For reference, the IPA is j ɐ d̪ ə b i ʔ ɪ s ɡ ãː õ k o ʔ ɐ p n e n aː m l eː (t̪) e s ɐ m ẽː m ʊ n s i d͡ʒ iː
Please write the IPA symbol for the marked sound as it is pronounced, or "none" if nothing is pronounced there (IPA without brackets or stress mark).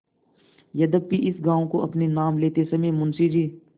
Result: t̪